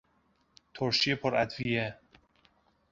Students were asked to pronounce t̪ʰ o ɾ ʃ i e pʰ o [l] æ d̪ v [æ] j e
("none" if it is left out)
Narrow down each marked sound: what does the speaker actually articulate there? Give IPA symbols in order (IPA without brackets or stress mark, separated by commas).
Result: ɾ, i